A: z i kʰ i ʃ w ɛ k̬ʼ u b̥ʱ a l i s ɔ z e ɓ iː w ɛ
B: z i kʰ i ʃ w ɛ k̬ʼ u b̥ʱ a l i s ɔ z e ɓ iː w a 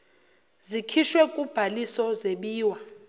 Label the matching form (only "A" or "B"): B